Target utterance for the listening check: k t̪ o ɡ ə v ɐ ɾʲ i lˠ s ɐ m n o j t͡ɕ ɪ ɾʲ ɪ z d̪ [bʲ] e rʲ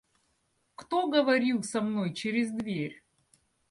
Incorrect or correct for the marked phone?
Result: incorrect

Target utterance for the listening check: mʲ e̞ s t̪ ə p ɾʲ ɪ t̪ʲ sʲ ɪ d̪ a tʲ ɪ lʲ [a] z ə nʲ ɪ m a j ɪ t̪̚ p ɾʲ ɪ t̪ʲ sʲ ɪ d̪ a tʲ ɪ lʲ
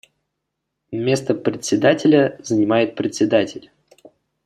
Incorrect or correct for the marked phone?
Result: incorrect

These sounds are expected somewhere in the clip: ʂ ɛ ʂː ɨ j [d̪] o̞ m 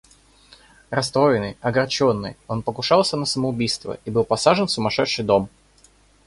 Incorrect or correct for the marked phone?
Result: correct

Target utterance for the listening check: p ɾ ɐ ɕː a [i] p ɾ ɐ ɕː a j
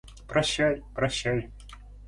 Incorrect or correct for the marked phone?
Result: incorrect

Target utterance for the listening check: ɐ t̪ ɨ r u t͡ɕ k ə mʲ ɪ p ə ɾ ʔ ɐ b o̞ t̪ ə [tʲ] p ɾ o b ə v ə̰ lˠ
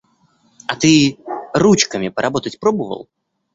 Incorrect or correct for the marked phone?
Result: correct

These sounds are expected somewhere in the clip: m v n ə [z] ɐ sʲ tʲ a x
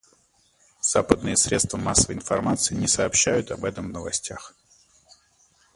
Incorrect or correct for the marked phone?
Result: incorrect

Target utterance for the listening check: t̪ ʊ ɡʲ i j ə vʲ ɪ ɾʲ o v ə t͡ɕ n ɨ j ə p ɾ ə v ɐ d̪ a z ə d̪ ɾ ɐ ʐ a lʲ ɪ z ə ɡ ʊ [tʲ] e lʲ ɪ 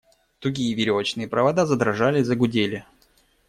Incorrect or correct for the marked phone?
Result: incorrect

